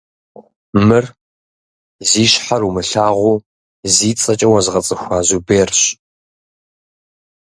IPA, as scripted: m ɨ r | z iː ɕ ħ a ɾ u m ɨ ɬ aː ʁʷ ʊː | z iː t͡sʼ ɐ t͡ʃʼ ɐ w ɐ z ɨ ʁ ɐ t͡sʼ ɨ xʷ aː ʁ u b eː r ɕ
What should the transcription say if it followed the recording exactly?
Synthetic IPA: m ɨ r | z iː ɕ ħ a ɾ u m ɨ ɬ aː ʁʷ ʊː | z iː t͡sʼ ɐ t͡ʃʼ ɐ w ɐ z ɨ ʁ ɐ t͡sʼ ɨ xʷ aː z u b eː r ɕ

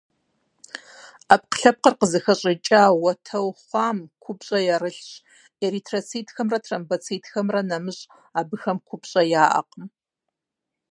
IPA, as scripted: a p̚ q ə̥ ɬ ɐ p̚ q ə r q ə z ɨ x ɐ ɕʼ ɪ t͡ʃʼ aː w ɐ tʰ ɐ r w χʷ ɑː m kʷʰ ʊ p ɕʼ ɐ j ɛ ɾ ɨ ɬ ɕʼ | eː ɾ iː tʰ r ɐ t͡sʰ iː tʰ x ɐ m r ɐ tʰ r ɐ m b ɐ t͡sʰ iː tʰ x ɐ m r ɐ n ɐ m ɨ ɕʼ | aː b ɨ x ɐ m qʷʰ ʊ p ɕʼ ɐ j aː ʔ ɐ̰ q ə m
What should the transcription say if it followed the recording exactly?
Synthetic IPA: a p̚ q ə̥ ɬ ɐ p̚ q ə r q ə z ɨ x ɐ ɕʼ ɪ t͡ʃʼ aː w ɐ tʰ ɐ w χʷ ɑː m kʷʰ ʊ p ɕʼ ɐ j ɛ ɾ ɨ ɬ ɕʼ | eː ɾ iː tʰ r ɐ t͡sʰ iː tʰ x ɐ m r ɐ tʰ r ɐ m b ɐ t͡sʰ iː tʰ x ɐ m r ɐ n ɐ m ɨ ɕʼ | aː b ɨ x ɐ m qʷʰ ʊ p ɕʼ ɐ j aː ʔ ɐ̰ q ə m

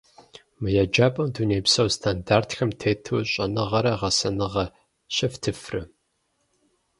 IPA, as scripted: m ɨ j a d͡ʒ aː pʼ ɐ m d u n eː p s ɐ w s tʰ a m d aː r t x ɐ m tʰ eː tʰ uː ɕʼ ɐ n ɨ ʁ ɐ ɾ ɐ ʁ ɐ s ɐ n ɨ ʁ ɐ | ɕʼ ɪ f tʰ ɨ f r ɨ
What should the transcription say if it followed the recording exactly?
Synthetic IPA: m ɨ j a d͡ʒ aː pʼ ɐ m d u n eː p s ɐ w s tʰ a n d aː r t x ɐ m tʰ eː tʰ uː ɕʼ ɐ n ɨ ʁ ɐ ɾ ɐ ʁ ɐ s ɐ n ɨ ʁ ɐ | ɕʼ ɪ f tʰ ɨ f r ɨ

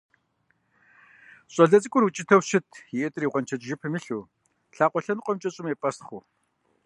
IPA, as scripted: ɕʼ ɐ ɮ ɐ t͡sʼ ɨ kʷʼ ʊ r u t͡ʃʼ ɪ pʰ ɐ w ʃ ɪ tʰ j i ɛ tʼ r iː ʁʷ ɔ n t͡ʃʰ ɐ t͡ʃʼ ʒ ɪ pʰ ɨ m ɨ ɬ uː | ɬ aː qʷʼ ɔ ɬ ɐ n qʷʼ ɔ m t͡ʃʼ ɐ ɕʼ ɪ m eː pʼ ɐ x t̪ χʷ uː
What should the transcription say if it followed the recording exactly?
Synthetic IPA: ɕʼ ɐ ɮ ɐ t͡sʼ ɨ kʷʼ ʊ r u t͡ʃʼ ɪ tʰ ɐ w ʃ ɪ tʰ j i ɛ tʼ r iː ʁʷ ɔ n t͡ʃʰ ɐ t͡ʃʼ ʒ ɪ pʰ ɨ m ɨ ɬ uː | ɬ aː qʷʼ ɔ ɬ ɐ n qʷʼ ɔ m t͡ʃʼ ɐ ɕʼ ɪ m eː pʼ ɐ s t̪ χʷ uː

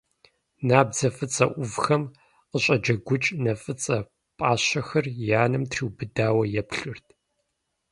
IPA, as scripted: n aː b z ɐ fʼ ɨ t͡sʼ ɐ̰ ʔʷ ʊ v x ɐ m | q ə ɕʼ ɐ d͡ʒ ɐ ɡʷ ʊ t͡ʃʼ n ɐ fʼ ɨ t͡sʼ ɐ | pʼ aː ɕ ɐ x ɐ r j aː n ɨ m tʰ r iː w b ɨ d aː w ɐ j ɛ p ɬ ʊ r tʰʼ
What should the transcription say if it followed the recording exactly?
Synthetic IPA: n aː b z ɐ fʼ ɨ t͡sʼ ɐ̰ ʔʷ ʊ v x ɐ m | q ə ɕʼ ɐ d͡ʒ ɐ ɡʷ ʊ t͡ʃʼ n ɐ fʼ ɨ t͡sʼ ɐ | pʼ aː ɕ ɐ x ɐ r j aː n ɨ m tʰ r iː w b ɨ d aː w ɐ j ɛ p ɬ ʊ r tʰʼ

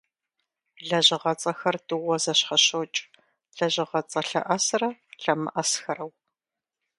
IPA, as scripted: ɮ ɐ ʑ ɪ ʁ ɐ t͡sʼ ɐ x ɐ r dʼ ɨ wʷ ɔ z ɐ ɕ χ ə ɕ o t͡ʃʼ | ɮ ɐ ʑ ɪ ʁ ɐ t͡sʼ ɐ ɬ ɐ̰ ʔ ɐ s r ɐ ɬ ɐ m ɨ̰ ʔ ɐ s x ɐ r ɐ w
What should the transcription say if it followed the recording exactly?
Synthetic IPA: ɮ ɐ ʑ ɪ ʁ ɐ t͡sʼ ɐ x ɐ r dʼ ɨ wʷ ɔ z ɐ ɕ χ ɐ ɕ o t͡ʃʼ | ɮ ɐ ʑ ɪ ʁ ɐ t͡sʼ ɐ ɬ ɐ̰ ʔ ɐ s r ɐ ɬ ɐ m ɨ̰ ʔ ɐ s x ɐ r ɐ w

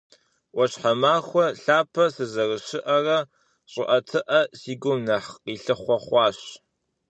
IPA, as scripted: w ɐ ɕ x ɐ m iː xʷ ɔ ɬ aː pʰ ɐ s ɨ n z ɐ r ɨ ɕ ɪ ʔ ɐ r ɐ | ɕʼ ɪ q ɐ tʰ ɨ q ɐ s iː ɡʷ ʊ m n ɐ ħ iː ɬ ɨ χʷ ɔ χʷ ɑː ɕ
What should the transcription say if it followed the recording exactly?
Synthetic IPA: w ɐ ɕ ħ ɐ m aː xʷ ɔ ɬ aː pʰ ɐ s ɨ z ɐ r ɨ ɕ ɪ ʔ ɐ r ɐ | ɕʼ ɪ ʔ ɐ tʰ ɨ ʔ ɐ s iː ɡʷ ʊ m n ɐ ħ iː ɬ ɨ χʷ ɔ χʷ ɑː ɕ

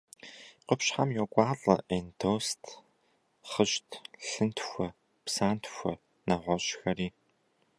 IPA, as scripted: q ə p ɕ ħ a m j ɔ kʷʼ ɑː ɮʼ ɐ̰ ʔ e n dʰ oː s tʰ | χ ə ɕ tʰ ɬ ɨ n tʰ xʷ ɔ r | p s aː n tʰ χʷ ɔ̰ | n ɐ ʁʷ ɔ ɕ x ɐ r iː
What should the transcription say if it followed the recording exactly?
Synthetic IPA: q ə p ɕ ħ a m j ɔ kʷʼ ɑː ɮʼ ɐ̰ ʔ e n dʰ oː s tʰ | χ ə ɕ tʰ ɬ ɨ n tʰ xʷ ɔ | p s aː n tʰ xʷ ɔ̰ | n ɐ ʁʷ ɔ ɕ x ɐ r iː

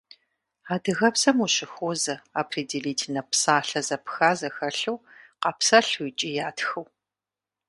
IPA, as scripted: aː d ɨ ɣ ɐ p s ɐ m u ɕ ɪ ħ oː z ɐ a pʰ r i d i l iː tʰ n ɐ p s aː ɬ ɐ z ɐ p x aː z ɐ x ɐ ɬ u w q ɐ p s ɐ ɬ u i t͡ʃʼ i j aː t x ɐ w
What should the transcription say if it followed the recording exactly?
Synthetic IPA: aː d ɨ ɣ ɐ p s ɐ m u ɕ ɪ x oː z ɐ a pʰ r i d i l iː tʰ n ɐ p s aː ɬ ɐ z ɐ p x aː z ɐ x ɐ ɬ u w q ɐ p s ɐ ɬ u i t͡ʃʼ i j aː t x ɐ w

